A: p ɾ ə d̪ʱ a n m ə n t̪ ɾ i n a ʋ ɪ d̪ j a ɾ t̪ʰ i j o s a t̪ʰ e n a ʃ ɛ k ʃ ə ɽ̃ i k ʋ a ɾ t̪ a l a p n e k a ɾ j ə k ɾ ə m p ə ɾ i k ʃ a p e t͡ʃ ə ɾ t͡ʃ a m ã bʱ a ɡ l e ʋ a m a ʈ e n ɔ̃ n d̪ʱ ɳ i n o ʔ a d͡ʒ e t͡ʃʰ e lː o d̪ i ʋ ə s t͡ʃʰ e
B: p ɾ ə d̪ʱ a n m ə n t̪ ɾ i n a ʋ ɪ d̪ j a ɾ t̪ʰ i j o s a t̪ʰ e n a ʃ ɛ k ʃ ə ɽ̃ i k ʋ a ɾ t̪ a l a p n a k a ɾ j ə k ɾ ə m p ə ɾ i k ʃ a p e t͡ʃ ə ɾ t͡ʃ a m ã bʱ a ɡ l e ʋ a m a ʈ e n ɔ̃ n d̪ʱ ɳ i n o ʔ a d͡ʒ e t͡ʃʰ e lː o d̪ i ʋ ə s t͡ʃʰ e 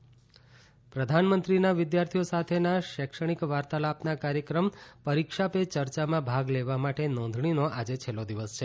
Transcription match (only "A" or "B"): B